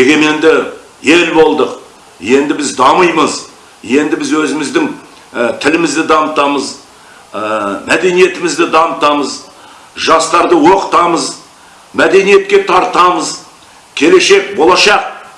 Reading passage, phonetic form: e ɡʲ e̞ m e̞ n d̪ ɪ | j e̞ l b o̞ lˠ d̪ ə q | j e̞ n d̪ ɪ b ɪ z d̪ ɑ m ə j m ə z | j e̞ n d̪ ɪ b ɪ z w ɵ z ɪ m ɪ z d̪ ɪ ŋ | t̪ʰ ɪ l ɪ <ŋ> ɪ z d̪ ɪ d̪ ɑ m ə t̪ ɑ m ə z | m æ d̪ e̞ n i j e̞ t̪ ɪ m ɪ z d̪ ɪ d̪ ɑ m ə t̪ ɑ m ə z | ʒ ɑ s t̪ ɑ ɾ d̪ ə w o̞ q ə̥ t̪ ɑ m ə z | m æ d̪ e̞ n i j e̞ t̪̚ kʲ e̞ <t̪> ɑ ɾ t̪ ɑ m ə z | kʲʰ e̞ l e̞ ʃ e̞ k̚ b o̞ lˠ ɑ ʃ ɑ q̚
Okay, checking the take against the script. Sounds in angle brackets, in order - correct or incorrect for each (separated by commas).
incorrect, incorrect